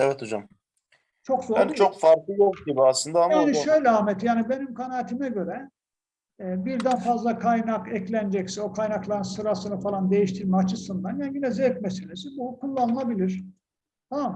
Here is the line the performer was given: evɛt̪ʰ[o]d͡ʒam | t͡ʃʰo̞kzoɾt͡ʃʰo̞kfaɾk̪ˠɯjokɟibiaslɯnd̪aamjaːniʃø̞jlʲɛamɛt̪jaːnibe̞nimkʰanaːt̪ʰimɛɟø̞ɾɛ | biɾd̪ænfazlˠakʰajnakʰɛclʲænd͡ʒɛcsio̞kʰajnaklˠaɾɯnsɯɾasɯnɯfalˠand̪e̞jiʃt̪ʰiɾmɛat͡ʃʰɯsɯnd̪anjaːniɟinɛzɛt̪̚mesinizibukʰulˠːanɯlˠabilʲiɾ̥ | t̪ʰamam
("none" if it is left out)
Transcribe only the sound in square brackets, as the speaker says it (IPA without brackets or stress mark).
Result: o